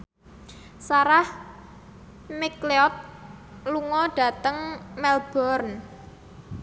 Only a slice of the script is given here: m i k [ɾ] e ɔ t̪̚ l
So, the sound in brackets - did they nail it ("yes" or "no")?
no